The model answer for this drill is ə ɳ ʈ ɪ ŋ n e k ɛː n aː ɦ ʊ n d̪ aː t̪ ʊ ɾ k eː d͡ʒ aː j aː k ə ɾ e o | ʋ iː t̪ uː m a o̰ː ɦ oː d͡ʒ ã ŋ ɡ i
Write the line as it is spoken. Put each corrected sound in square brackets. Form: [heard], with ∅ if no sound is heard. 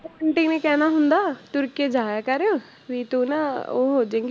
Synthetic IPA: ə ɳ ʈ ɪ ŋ n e k ɛː n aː ɦ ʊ n d̪ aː t̪ ʊ ɾ k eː d͡ʒ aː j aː k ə ɾ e o | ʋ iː t̪ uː [n] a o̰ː ɦ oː d͡ʒ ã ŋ ɡ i